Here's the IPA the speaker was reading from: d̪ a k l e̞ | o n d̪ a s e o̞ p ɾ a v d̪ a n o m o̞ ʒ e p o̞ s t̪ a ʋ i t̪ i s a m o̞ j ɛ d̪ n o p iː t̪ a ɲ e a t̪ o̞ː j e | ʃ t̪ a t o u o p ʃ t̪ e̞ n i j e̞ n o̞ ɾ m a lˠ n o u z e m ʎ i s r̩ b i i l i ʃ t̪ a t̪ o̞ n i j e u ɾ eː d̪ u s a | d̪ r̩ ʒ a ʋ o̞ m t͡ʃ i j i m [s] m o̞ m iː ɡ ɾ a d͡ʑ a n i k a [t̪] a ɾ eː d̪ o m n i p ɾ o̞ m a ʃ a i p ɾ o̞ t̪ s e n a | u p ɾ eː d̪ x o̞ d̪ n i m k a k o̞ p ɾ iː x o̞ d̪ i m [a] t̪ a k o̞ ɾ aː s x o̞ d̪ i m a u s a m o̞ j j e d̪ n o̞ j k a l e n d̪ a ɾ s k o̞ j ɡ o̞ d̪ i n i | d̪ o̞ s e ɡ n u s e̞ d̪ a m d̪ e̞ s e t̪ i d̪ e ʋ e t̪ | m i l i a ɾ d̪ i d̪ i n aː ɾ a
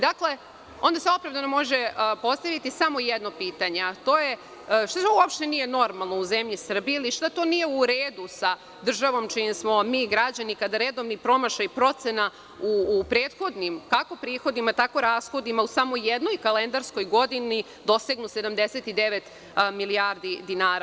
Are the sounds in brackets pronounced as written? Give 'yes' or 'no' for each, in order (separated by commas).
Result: yes, no, yes